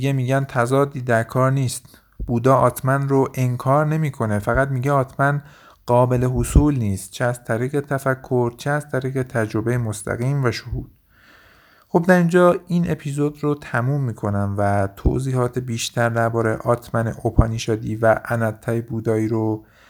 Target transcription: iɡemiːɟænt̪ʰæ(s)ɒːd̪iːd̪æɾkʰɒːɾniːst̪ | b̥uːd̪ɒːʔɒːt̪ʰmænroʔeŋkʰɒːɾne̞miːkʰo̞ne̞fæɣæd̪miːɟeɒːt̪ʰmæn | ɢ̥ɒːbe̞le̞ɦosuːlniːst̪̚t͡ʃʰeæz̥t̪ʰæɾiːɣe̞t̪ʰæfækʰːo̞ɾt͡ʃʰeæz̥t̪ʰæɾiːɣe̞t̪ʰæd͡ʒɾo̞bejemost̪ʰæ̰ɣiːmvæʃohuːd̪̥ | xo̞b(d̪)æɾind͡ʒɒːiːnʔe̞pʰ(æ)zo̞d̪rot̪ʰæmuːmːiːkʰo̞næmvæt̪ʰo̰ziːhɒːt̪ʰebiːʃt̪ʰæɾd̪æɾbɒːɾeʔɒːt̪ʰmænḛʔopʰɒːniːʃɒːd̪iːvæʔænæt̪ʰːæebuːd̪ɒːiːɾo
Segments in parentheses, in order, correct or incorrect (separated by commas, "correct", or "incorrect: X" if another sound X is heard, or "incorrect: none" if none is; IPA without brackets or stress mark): incorrect: z, correct, incorrect: i